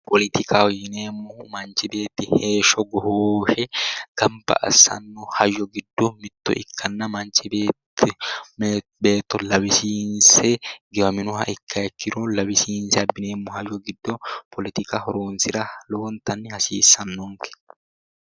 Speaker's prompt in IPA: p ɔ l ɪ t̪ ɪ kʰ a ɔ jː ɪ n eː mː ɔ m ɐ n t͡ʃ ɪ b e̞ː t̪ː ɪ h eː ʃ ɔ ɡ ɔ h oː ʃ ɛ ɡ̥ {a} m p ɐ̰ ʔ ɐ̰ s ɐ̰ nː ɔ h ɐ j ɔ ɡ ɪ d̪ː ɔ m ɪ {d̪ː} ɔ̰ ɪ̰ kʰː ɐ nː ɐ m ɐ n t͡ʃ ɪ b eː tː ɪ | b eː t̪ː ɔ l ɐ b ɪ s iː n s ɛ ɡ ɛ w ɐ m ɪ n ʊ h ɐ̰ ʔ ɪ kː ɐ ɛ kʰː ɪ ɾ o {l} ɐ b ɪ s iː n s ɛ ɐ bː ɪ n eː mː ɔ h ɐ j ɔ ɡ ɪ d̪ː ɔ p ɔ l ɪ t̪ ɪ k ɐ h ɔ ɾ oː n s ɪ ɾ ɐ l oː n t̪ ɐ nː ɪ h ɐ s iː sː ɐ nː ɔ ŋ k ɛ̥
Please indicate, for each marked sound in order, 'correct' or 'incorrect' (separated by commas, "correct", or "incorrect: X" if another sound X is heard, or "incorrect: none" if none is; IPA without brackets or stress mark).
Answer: incorrect: ɐ, incorrect: t̪ː, correct